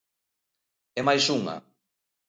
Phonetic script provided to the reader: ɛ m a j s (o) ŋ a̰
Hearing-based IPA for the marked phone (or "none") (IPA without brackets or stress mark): u